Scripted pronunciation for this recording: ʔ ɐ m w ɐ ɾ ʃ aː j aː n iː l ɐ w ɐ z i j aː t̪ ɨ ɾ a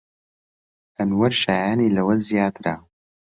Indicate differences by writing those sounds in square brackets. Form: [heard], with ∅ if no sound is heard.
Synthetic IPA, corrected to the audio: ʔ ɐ [n] w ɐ ɾ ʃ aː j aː n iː l ɐ w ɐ z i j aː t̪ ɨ ɾ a

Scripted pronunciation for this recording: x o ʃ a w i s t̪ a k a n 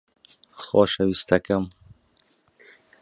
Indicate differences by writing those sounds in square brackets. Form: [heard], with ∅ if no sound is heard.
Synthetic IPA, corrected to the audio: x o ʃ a w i s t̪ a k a [m]

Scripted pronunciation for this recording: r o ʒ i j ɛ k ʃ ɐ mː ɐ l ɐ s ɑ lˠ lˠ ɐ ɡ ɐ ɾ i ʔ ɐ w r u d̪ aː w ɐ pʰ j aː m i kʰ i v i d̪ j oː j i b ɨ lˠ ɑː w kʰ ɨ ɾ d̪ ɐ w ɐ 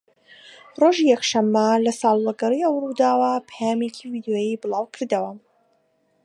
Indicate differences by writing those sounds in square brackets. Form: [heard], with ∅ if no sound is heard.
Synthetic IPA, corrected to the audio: r o ʒ i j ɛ k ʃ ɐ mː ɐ l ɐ s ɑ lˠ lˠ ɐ ɡ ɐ ɾ i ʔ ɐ w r u d̪ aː w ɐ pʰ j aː m [e] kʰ i v i d̪ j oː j i b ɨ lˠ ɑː w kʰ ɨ ɾ d̪ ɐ w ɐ

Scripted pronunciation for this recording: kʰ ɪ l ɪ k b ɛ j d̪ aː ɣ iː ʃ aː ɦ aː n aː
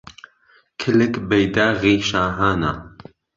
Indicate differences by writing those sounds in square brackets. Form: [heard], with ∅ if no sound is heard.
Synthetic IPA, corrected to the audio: kʰ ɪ l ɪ k b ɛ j d̪ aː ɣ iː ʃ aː ɦ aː n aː

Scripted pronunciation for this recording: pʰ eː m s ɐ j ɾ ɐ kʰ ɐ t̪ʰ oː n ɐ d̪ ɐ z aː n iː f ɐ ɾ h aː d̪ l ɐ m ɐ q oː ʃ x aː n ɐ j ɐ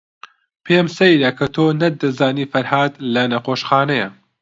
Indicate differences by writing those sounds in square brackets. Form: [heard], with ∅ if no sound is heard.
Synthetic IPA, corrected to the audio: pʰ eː m s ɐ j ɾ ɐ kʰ ɐ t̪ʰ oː n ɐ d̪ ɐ z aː n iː f ɐ ɾ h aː d̪ l ɐ [n] ɐ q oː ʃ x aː n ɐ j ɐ

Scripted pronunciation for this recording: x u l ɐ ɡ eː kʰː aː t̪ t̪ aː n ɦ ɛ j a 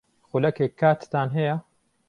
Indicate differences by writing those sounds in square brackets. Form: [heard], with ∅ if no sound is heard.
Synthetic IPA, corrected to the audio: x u l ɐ [k] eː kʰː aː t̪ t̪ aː n ɦ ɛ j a

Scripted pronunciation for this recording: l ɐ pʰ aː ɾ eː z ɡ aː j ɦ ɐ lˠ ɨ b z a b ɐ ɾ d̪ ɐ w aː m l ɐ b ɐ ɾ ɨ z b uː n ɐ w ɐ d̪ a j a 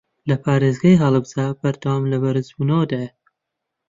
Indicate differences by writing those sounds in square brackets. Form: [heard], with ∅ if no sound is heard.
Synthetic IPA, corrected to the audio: l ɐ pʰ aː ɾ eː z ɡ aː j ɦ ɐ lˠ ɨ b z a b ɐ ɾ d̪ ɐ w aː m l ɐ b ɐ ɾ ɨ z b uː n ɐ w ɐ d̪ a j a

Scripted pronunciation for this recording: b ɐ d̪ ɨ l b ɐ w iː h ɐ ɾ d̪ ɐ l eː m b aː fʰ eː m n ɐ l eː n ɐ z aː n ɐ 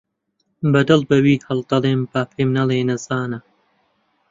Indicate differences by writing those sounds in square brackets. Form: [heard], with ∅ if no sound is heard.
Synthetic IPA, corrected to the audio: b ɐ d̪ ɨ l b ɐ w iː h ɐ [l] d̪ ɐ l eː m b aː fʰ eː m n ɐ l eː n ɐ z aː n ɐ

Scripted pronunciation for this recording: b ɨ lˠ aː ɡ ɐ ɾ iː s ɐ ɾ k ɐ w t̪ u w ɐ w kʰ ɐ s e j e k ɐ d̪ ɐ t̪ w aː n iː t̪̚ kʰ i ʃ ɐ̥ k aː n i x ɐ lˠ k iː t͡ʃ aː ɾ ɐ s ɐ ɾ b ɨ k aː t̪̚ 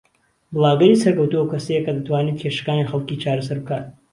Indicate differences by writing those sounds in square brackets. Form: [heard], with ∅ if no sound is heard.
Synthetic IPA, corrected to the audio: b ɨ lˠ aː ɡ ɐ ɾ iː s ɐ ɾ k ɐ w t̪ u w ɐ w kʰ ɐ s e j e k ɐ d̪ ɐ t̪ w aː n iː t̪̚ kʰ [e] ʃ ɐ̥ k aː n i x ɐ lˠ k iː t͡ʃ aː ɾ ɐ s ɐ ɾ b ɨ k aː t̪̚

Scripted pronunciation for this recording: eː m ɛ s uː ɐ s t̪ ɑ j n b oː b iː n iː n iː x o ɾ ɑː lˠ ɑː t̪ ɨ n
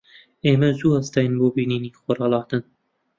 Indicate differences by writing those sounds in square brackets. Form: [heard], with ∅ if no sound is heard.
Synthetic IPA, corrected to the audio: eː m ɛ [z] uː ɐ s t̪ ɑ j n b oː b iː n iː n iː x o ɾ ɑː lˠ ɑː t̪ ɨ n

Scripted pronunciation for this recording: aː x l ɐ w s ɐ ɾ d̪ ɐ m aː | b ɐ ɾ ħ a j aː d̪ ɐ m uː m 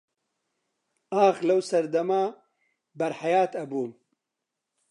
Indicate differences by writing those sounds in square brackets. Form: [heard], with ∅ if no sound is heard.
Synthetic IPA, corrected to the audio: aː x l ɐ w s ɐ ɾ d̪ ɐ m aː | b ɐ ɾ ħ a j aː [t̪] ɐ [b] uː m

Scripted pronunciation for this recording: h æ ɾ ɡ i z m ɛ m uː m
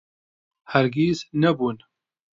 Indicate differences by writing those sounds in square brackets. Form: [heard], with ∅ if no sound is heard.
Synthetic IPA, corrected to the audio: h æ ɾ ɡ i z [n] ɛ [b] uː [n]

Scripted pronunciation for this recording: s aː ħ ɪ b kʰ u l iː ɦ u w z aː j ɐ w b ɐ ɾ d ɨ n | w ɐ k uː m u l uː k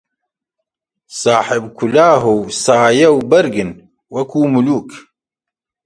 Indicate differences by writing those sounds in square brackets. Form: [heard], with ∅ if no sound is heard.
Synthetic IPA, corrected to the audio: s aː ħ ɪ b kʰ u l [aː] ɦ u w [s] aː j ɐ w b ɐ ɾ [ɡ] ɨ n | w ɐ k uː m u l uː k

